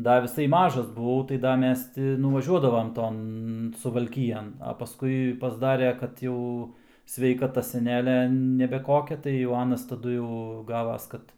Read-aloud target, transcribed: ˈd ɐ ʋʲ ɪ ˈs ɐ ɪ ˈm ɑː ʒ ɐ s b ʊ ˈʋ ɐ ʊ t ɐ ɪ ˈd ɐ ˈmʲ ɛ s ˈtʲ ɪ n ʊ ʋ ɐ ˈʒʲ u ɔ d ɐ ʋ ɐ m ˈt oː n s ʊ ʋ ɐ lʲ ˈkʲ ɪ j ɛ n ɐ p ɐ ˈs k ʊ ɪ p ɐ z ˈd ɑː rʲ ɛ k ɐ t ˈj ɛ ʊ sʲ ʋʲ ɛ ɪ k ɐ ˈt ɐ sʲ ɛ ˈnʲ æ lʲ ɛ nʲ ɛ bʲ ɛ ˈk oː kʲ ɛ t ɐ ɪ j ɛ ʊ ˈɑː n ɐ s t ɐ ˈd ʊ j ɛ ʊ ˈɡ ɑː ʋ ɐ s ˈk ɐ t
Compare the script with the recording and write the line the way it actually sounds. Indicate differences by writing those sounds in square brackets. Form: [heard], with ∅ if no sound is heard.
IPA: ˈd ɐ ʋʲ ɪ ˈs ɐ ɪ ˈm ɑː ʒ ɐ s b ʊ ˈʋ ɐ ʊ t ɐ ɪ ˈd ɐ ˈmʲ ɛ s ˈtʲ ɪ n ʊ ʋ ɐ ˈʒʲ u ɔ d ɐ ʋ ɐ m ˈt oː n s ʊ ʋ ɐ lʲ ˈkʲ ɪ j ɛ n ɐ p ɐ ˈs k ʊ ɪ p ɐ z ˈd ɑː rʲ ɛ k ɐ t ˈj ɛ ʊ sʲ ʋʲ ɛ ɪ k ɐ ˈt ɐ sʲ ɛ ˈnʲ [æː] lʲ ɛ nʲ ɛ bʲ ɛ ˈk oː kʲ ɛ t ɐ ɪ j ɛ ʊ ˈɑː n ɐ s t ɐ ˈd ʊ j ɛ ʊ ˈɡ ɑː ʋ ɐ s ˈk ɐ t